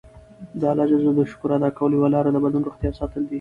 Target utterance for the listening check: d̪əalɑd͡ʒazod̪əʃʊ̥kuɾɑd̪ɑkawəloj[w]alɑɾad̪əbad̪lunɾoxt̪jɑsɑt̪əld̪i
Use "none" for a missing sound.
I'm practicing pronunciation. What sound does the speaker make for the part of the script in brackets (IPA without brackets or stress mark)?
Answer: w